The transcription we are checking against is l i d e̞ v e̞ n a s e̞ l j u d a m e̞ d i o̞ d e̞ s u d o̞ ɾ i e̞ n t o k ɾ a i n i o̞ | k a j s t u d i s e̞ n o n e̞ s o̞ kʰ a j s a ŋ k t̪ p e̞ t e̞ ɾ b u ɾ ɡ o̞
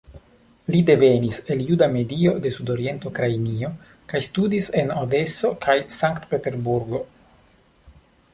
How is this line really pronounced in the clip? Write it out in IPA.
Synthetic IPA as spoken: l i d e̞ v e̞ n i s e̞ l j u d a m e̞ d i o̞ d e̞ s u d o̞ ɾ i e̞ n t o k ɾ a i n i o̞ | k a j s t u d i s e̞ n o d e̞ s o̞ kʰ a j s a ŋ k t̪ p e̞ t e̞ ɾ b u ɾ ɡ o̞